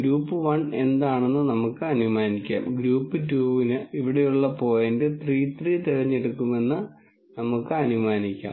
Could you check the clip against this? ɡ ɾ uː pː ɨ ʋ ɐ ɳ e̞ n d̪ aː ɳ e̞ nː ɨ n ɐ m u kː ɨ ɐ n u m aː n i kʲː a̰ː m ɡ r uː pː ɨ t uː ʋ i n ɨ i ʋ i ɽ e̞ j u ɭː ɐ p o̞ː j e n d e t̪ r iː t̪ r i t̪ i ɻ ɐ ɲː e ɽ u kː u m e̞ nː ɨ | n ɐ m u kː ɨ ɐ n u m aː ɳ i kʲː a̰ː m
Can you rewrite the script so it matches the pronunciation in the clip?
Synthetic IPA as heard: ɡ ɾ uː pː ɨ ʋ ɐ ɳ e̞ n d̪ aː ɳ e̞ nː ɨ n ɐ m u kː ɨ ɐ n u m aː n i kʲː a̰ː m ɡ ɾ uː pː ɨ t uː ʋ i n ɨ i ʋ i ɽ e̞ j u ɭː ɐ p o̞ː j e n d e t̪ r iː t̪ r i t̪ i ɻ ɐ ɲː e ɽ u kː u m e̞ nː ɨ | n ɐ m u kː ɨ ɐ n u m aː n i kʲː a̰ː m